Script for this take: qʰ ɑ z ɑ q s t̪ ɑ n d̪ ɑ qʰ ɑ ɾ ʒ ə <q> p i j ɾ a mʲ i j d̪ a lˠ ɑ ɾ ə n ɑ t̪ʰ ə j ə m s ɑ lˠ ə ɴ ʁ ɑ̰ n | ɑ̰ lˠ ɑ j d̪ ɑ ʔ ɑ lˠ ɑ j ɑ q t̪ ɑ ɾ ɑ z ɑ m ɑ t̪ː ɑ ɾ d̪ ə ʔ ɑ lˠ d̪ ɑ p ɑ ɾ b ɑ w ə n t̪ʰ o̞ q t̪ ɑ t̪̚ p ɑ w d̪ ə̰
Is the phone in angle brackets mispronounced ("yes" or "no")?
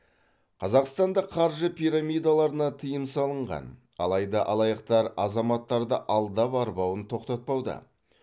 yes